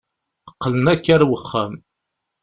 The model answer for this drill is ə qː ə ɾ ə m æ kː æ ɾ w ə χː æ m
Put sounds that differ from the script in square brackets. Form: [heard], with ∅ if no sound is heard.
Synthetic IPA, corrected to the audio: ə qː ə [l] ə [n] æ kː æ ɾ w ə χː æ m